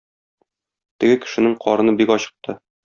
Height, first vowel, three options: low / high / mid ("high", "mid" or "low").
mid